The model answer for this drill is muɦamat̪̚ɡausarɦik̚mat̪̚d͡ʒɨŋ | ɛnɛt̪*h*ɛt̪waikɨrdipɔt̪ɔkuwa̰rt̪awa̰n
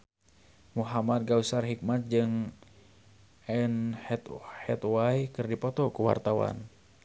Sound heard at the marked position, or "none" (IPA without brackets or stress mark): h